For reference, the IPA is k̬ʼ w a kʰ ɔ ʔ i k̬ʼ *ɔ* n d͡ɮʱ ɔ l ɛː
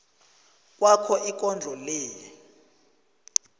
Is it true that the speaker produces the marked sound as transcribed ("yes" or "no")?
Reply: yes